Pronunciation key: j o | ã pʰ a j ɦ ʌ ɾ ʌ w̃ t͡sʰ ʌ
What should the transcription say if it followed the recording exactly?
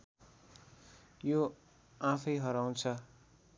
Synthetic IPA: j o | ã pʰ ʌ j ɦ ʌ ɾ a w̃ t͡sʰ ʌ